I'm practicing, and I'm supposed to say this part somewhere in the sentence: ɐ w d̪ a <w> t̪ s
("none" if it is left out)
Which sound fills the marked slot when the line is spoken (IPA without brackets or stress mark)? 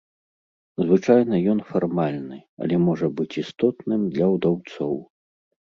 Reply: w